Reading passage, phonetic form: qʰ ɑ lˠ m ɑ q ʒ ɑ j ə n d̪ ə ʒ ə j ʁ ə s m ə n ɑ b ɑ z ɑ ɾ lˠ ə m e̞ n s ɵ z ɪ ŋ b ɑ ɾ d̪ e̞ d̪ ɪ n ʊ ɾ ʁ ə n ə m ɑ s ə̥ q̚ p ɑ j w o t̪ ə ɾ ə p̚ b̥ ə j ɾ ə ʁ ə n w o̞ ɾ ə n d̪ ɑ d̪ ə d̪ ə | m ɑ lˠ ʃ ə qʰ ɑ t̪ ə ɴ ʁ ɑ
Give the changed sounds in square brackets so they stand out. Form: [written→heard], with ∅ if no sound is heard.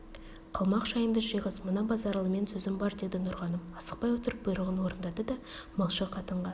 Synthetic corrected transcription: qʰ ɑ lˠ m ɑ q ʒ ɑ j ə n d̪ ə ʒ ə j ʁ ə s m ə n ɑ b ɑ z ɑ ɾ lˠ ə m e̞ n s ɵ z ɪ [ŋ→m] b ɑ ɾ d̪ e̞ d̪ ɪ n ʊ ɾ ʁ [ə→ɑ] n ə m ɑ s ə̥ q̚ p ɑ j w o t̪ ə ɾ ə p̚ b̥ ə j ɾ ə ʁ ə n w o̞ ɾ ə n d̪ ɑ d̪ ə d̪ [ə→ɑ] | m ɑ lˠ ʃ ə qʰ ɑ t̪ ə ɴ ʁ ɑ